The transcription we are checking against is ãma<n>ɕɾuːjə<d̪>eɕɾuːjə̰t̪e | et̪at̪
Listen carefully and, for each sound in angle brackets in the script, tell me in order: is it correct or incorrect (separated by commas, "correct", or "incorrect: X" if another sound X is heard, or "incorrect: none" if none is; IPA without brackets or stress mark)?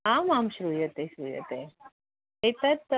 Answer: incorrect: m, incorrect: t̪